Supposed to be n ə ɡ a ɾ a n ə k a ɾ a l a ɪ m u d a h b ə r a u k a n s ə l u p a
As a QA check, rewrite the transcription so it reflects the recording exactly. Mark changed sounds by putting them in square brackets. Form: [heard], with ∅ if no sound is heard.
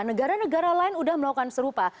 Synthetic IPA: n ə ɡ a ɾ a n ə [ɡ] a ɾ a l a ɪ [n] u d a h [m] ə [l] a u k a n s ə [ɾ] u p a